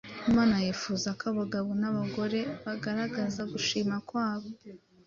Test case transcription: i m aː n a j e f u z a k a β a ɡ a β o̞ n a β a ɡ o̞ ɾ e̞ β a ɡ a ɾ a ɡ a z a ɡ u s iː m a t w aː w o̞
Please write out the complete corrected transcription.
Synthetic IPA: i m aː n a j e f u z a k a β a ɡ a β o̞ n a β a ɡ o̞ ɾ e̞ β a ɡ a ɾ a ɡ a z a ɡ u ʃ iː m a k w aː β o̞